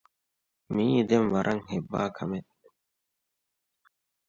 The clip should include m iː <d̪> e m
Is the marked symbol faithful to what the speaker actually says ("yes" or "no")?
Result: yes